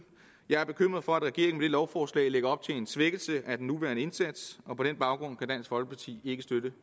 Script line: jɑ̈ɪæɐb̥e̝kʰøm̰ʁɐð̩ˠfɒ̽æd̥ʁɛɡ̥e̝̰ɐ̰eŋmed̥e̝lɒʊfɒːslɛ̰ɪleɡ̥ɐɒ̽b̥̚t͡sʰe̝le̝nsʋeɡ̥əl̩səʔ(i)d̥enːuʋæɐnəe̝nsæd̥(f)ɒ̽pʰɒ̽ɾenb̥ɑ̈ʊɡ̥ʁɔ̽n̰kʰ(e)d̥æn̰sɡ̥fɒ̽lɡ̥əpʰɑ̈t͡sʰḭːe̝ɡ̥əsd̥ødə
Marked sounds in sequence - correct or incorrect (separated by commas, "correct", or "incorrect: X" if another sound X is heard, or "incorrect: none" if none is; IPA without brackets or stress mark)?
incorrect: æ, incorrect: s, incorrect: æ